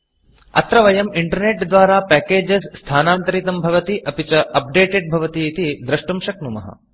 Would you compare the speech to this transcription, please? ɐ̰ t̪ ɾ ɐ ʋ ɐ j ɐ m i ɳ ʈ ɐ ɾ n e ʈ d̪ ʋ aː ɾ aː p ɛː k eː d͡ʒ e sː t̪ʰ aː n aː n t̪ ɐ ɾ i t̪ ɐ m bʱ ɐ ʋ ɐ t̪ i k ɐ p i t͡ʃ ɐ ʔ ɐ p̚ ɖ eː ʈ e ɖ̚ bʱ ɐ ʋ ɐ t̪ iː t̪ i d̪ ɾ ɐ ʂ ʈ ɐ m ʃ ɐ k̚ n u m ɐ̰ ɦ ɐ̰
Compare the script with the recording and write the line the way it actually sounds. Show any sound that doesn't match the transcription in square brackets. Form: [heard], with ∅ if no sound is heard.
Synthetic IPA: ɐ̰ t̪ ɾ ɐ ʋ ɐ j ɐ m i ɳ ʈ ɐ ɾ n e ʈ d̪ ʋ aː ɾ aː p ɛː k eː d͡ʒ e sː t̪ʰ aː n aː n t̪ ɐ ɾ i t̪ ɐ m bʱ ɐ ʋ ɐ t̪ i [ʔ] ɐ p i t͡ʃ ɐ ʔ ɐ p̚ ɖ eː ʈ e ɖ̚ bʱ ɐ ʋ ɐ t̪ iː t̪ i d̪ ɾ ɐ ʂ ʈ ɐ m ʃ ɐ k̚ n u m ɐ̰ ɦ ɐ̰